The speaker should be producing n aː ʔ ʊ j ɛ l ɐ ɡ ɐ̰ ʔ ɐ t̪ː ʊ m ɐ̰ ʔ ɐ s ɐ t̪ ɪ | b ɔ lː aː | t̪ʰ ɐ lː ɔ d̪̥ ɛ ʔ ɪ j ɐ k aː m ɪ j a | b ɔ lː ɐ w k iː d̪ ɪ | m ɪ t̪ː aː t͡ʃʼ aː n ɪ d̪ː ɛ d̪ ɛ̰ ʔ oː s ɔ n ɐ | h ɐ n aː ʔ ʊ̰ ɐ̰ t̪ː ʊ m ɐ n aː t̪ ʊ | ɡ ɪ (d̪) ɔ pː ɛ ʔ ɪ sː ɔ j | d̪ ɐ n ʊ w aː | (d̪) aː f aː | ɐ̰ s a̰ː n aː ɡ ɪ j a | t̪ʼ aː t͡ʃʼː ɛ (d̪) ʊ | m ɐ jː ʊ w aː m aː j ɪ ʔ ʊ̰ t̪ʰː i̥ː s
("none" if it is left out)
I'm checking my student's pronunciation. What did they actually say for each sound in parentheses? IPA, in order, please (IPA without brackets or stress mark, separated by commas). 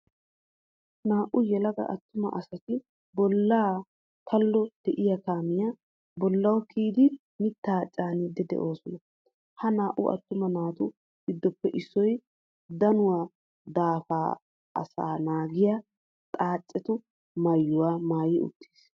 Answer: d̪ː, d̪, t̪